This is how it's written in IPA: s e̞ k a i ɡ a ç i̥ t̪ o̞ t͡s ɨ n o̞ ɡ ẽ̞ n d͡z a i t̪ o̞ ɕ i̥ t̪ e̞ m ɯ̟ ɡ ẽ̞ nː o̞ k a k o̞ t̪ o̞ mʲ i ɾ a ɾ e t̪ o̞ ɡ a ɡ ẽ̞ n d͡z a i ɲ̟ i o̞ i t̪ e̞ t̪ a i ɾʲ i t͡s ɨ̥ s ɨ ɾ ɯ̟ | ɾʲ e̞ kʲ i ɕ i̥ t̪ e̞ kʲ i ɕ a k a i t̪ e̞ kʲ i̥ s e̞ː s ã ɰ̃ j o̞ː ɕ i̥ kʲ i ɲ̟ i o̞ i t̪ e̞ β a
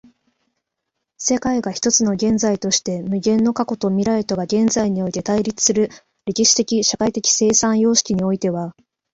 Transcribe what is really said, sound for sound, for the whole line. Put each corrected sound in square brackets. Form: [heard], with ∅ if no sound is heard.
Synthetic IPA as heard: s e̞ k a i ɡ a ç i̥ t̪ o̞ t͡s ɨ n o̞ ɡ ẽ̞ n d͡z a i t̪ o̞ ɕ i̥ t̪ e̞ m ɯ̟ ɡ ẽ̞ nː o̞ k a k o̞ t̪ o̞ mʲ i ɾ a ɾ e t̪ o̞ ɡ a ɡ ẽ̞ n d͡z a i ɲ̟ i o̞ i t̪ e̞ t̪ a i ɾʲ i t͡s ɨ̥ s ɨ ɾ ɯ̟ | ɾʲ e̞ kʲ i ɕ i̥ t̪ e̞ kʲ i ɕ a k a i t̪ e̞ kʲ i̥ s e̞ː s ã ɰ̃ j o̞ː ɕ i̥ kʲ i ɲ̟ i o̞ i t̪ e̞ β a

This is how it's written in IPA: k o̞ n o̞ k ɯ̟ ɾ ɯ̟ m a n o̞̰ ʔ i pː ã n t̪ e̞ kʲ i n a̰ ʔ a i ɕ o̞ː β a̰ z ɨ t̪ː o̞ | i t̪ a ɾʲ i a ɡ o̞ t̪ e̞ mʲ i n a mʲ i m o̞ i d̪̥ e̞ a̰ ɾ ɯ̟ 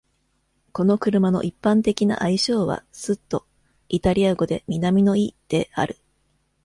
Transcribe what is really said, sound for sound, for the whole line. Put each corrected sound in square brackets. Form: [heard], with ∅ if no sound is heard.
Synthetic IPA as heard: k o̞ n o̞ k ɯ̟ ɾ ɯ̟ m a n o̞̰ ʔ i pː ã n t̪ e̞ kʲ i n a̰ ʔ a i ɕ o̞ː β a̰ [s] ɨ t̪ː o̞ | i t̪ a ɾʲ i a ɡ o̞ [d̪] e̞ mʲ i n a mʲ i [n] o̞ i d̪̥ e̞ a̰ ɾ ɯ̟

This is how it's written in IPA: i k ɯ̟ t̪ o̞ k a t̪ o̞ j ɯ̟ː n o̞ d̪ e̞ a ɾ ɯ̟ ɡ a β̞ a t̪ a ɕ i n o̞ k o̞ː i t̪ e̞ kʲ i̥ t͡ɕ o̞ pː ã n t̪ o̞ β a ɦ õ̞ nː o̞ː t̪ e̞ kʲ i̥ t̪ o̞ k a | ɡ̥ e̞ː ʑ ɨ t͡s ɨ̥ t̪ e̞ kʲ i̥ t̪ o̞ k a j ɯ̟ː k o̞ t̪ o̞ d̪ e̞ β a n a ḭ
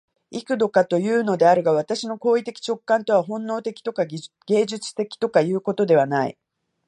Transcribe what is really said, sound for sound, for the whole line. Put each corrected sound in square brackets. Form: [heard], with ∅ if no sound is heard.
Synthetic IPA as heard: i k ɯ̟ [d̪] o̞ k a t̪ o̞ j ɯ̟ː n o̞ d̪ e̞ a ɾ ɯ̟ ɡ a β̞ a t̪ a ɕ i n o̞ k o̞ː i t̪ e̞ kʲ i̥ t͡ɕ o̞ [kː] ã n t̪ o̞ β a ɦ õ̞ nː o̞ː t̪ e̞ kʲ i̥ t̪ o̞ k a | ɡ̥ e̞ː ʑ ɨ t͡s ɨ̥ t̪ e̞ kʲ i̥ t̪ o̞ k a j ɯ̟ː k o̞ t̪ o̞ d̪ e̞ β a n a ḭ

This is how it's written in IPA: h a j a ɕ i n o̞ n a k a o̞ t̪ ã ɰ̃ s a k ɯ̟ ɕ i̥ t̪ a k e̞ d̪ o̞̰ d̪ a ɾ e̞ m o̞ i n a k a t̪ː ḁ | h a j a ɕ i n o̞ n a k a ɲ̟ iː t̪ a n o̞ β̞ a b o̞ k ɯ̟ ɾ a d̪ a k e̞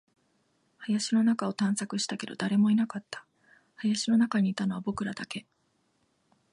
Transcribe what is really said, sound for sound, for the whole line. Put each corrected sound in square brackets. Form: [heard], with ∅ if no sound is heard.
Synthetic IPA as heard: h a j a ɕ i n o̞ n a k a o̞ t̪ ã ɰ̃ s a k ɯ̟ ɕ i̥ t̪ a k e̞ d̪ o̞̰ d̪ a ɾ e̞ m o̞ i n a k a t̪ː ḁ | h a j a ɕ i n o̞ n a k a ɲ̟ iː t̪ a n o̞ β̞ a b o̞ k ɯ̟ ɾ a d̪ a k e̞

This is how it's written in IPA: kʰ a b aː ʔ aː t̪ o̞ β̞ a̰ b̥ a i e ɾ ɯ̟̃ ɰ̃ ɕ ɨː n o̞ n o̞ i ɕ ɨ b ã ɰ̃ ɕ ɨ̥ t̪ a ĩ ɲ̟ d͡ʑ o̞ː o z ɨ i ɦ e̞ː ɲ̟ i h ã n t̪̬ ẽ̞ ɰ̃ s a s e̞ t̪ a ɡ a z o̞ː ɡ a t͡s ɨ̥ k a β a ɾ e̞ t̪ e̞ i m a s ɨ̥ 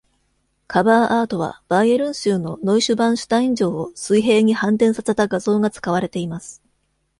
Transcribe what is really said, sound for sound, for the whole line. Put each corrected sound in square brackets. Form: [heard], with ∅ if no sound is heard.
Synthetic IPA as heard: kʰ a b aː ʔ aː t̪ o̞ β̞ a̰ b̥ a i e ɾ ɯ̟̃ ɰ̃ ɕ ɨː n o̞ n o̞ i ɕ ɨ b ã ɰ̃ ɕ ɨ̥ t̪ a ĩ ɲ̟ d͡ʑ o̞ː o [s] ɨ i ɦ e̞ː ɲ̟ i h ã n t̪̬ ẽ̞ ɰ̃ s a s e̞ t̪ a ɡ a z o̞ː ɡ a t͡s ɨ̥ k a β a ɾ e̞ t̪ e̞ i m a s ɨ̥

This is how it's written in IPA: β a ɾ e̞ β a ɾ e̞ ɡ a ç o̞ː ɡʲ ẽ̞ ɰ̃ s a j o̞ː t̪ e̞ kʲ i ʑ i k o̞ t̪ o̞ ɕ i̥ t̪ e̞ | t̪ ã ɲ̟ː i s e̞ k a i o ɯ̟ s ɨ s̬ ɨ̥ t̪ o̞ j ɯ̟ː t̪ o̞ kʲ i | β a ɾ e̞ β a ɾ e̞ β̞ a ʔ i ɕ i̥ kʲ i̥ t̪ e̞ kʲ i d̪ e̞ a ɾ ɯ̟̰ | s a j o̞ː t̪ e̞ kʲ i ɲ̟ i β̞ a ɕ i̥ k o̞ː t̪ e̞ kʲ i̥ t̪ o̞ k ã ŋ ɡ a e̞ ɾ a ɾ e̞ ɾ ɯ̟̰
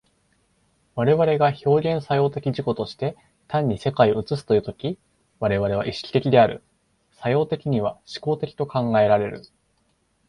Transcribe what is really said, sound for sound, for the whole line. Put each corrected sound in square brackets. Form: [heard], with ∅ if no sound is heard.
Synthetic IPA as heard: β a ɾ e̞ β a ɾ e̞ ɡ a ç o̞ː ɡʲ ẽ̞ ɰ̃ s a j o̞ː t̪ e̞ kʲ i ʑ i k o̞ t̪ o̞ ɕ i̥ t̪ e̞ | t̪ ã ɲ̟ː i s e̞ k a i o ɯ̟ [t͡s] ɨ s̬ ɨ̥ t̪ o̞ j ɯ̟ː t̪ o̞ kʲ i | β a ɾ e̞ β a ɾ e̞ β̞ a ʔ i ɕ i̥ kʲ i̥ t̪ e̞ kʲ i d̪ e̞ a ɾ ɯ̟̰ | s a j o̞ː t̪ e̞ kʲ i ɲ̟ i β̞ a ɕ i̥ k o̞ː t̪ e̞ kʲ i̥ t̪ o̞ k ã ŋ ɡ a e̞ ɾ a ɾ e̞ ɾ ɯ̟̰

